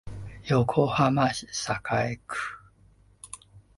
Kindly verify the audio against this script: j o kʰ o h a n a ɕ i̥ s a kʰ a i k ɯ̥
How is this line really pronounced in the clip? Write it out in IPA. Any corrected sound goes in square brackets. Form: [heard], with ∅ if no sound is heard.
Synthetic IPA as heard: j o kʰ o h a [m] a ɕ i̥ s a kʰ a [e] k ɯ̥